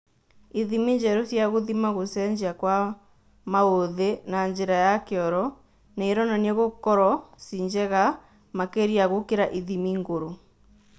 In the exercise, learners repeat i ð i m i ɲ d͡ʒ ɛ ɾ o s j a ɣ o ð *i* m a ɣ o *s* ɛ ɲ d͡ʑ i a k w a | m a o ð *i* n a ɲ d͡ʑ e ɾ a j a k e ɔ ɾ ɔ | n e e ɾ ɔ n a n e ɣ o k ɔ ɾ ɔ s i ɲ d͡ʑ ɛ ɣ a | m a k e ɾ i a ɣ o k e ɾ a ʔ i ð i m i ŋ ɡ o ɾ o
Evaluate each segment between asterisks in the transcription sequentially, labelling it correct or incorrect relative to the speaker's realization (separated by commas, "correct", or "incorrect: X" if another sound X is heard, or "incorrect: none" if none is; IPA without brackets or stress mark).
correct, correct, incorrect: e